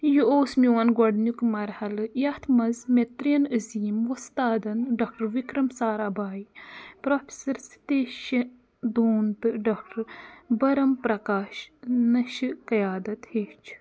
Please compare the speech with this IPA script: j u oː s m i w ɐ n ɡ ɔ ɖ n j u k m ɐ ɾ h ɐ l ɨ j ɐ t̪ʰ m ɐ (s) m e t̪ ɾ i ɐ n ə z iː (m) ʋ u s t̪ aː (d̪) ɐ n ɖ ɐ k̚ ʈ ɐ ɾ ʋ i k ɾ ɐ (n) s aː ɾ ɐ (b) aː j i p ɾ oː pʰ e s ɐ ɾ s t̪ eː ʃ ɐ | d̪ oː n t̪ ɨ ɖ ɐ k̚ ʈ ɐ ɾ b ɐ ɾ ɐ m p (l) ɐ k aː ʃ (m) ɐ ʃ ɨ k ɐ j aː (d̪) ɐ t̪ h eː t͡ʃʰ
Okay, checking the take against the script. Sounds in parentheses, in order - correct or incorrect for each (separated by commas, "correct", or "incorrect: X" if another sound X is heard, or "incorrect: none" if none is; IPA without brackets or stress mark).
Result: incorrect: z, correct, correct, incorrect: m, correct, incorrect: ɾ, incorrect: n, correct